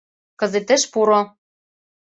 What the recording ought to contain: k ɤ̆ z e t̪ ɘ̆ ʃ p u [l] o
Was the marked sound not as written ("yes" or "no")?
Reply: yes